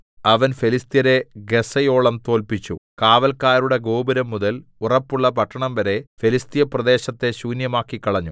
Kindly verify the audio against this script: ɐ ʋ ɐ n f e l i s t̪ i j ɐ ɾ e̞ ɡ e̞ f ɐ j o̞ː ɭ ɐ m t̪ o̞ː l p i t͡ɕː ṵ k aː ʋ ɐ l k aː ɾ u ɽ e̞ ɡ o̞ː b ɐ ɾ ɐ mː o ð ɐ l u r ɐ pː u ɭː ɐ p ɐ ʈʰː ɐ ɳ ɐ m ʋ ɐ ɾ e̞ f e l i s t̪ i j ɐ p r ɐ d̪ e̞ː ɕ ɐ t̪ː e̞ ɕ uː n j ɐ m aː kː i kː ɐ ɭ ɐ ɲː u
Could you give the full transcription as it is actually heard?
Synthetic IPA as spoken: ɐ ʋ ɐ n f e l i s t̪ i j ɐ ɾ e̞ ɡ e̞ s ɐ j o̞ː ɭ ɐ m t̪ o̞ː l p i t͡ɕː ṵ k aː ʋ ɐ l k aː ɾ u ɽ e̞ ɡ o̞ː b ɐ ɾ ɐ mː u ð ɐ l u r ɐ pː u ɭː ɐ p ɐ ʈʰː ɐ ɳ ɐ m ʋ ɐ ɾ e̞ f e l i s t̪ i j ɐ p r ɐ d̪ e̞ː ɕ ɐ t̪ː e̞ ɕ uː n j ɐ m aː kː i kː ɐ ɭ ɐ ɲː u